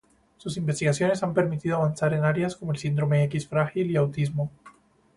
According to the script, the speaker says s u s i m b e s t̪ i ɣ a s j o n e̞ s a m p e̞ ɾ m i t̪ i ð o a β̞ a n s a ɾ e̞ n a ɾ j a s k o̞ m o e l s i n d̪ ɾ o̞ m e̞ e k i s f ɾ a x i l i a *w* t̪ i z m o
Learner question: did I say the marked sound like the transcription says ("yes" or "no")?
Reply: yes